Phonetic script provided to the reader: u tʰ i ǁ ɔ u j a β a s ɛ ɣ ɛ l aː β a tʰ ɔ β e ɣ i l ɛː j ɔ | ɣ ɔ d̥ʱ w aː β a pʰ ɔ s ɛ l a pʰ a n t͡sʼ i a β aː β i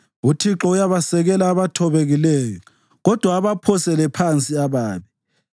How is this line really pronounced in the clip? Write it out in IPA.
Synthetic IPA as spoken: u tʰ i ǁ ɔ u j a β a s ɛ ɣ ɛ l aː β a tʰ ɔ β e ɣ i l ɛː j ɔ | ɣ ɔ d̥ʱ w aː β a pʰ ɔ s ɛ l ɛ pʰ a n t͡sʼ i a β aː β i